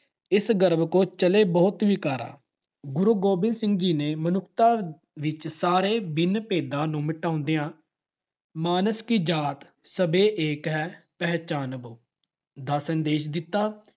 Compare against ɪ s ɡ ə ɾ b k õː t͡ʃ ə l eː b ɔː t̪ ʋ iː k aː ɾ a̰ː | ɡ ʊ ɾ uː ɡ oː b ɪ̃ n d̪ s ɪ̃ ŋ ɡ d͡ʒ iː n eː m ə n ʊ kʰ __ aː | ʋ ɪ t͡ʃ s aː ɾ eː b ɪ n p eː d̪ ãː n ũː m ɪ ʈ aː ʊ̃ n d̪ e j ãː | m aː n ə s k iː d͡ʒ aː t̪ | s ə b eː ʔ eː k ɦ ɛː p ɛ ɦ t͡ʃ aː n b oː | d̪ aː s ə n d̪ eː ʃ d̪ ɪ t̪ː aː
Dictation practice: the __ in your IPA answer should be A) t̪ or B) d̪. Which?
A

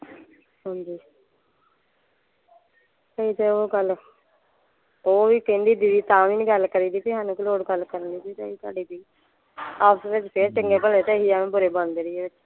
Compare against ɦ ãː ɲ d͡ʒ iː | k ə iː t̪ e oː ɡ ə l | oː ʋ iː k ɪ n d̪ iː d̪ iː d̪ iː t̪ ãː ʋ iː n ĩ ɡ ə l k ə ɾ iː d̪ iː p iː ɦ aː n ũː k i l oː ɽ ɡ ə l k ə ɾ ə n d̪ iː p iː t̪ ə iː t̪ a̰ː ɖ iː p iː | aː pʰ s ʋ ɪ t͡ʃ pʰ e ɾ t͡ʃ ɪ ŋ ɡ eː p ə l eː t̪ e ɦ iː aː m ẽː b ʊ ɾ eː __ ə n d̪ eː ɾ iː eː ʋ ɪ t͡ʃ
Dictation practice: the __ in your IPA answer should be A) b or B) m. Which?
A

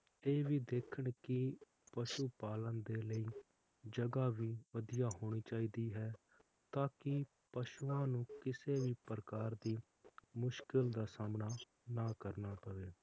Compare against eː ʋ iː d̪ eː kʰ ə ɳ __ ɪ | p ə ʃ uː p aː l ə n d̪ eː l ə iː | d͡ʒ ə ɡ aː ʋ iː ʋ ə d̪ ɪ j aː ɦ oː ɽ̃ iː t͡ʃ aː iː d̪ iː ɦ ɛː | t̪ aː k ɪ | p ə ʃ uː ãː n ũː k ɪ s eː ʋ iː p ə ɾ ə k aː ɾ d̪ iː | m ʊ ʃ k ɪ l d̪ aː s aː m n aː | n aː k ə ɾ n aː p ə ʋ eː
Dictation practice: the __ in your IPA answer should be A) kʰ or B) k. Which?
B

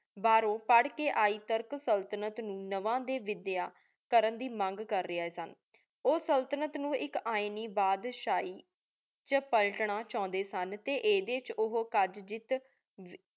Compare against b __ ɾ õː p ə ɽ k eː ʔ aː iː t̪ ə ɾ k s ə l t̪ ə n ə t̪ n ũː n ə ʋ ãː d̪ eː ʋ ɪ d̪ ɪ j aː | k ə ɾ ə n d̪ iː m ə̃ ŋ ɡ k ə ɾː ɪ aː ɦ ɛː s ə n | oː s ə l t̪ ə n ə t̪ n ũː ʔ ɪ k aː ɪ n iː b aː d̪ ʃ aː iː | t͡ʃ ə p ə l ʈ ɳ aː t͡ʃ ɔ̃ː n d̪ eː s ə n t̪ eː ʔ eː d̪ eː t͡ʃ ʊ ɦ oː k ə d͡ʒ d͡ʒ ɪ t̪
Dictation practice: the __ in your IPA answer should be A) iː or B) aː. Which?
B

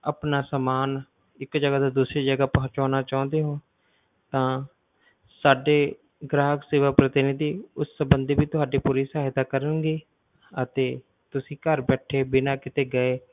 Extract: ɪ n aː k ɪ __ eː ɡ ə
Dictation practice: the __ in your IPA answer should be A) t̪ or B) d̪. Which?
A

